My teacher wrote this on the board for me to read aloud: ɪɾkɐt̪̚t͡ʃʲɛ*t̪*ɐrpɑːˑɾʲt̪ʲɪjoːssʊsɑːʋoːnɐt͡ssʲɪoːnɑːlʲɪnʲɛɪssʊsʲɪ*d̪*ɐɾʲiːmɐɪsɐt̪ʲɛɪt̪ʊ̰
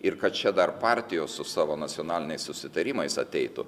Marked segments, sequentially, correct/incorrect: incorrect: d̪, incorrect: t̪

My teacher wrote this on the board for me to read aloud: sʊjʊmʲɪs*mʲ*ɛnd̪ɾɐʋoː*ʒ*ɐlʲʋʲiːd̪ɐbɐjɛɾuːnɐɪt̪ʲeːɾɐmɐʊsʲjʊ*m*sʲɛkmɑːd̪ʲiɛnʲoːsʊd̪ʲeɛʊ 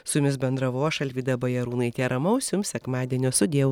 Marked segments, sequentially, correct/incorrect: incorrect: bʲ, incorrect: ʃ, correct

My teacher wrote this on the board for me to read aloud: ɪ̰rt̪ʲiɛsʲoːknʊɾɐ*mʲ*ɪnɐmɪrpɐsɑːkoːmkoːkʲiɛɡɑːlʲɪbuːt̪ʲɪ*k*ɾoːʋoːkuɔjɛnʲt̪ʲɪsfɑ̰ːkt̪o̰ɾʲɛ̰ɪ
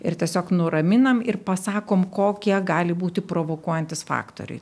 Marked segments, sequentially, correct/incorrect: correct, incorrect: p

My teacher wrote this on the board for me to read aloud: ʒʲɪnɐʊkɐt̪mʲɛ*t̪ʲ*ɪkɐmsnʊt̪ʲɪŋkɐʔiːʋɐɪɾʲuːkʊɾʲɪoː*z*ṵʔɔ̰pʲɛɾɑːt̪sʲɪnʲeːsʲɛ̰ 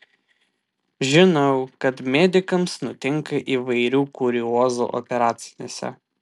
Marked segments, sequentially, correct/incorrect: incorrect: d̪ʲ, correct

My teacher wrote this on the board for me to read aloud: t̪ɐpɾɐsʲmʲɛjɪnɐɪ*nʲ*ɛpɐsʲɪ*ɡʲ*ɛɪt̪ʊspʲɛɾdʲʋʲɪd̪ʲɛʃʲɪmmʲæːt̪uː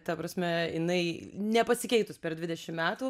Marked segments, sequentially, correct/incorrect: correct, incorrect: kʲ

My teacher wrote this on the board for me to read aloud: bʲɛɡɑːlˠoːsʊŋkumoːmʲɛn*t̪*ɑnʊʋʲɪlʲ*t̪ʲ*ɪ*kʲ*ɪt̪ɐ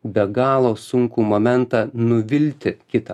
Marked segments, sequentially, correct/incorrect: correct, correct, correct

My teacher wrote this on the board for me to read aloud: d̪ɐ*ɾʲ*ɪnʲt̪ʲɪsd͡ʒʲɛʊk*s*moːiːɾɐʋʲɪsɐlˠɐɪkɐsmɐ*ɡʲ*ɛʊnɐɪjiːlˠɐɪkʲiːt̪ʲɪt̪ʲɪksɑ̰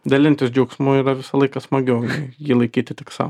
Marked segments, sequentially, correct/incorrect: incorrect: lʲ, correct, correct

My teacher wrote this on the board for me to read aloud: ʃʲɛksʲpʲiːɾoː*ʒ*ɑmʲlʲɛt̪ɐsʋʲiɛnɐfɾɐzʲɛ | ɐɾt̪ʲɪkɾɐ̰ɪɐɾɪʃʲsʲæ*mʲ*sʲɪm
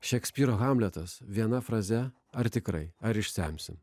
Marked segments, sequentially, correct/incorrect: incorrect: ɣ, correct

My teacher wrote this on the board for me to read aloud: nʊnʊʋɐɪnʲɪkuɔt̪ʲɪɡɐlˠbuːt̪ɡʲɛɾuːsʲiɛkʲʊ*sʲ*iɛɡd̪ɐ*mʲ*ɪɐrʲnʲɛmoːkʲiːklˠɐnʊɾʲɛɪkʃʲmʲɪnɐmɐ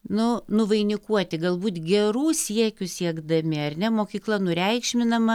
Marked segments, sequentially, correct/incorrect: correct, correct

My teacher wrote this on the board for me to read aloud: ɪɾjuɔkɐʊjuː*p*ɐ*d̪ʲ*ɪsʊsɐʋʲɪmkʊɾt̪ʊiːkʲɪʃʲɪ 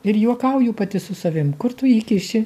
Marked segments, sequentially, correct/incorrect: correct, incorrect: t̪ʲ

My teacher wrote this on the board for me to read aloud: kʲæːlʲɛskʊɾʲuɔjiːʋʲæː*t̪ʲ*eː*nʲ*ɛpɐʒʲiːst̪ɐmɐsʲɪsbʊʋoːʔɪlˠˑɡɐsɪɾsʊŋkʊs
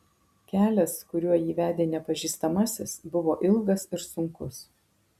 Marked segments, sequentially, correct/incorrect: incorrect: d̪ʲ, correct

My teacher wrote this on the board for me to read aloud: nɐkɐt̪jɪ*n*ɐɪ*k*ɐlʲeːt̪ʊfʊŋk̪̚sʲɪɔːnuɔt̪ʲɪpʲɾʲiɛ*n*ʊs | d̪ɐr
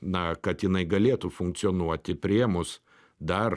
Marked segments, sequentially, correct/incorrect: correct, incorrect: ɡ, incorrect: m

